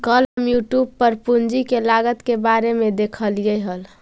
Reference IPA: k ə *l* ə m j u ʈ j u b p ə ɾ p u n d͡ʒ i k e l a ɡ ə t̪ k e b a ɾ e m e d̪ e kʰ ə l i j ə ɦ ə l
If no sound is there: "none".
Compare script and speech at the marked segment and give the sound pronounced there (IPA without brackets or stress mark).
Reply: l